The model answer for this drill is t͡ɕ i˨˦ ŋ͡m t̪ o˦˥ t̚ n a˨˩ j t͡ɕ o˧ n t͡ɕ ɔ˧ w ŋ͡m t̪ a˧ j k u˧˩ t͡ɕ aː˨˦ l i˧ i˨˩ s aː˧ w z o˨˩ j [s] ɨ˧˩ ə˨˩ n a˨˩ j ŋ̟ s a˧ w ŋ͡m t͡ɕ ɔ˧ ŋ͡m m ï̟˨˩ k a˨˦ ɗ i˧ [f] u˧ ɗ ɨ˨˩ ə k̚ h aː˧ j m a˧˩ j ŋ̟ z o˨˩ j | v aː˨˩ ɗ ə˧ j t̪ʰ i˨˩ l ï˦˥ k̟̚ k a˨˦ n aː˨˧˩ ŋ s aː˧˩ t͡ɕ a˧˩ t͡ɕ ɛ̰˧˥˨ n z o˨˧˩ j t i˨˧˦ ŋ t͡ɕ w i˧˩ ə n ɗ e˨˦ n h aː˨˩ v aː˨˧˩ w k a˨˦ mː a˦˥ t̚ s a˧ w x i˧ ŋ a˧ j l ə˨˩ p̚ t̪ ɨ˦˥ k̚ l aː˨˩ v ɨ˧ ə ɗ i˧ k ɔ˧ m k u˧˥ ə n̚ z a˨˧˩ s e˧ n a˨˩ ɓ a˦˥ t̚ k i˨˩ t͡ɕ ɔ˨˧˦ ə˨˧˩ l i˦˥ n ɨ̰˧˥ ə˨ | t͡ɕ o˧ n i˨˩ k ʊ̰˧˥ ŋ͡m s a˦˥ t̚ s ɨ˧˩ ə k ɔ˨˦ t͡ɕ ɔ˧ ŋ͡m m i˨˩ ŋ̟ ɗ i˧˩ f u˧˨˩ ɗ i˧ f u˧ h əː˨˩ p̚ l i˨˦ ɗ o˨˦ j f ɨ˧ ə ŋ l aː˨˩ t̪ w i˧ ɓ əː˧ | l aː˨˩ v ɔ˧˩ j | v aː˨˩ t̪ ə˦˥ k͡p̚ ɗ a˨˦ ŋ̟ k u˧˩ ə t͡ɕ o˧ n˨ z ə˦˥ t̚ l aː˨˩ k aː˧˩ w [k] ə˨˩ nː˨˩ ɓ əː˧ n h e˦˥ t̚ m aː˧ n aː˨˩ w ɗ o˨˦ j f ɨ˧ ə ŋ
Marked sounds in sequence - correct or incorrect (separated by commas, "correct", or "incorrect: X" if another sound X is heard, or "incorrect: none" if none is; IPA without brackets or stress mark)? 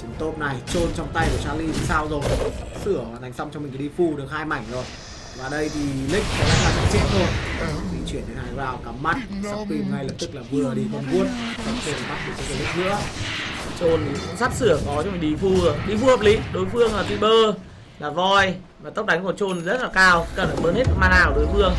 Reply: correct, correct, correct